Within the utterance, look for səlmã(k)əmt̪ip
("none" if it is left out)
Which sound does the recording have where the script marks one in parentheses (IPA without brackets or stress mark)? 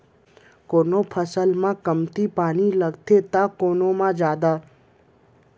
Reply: k